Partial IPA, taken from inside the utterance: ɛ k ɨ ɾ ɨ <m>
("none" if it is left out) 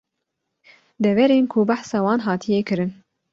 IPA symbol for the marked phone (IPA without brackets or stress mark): n